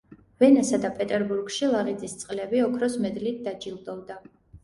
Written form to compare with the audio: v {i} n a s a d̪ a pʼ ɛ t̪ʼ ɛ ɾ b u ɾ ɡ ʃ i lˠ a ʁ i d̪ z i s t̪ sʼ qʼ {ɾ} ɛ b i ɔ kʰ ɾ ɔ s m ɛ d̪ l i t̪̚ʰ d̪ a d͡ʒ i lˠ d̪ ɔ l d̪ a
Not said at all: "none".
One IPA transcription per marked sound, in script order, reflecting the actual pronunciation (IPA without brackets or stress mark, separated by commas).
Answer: ɛ, l